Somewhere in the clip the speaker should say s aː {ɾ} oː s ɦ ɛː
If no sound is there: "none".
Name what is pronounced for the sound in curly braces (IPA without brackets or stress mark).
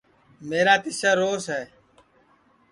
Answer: ɾ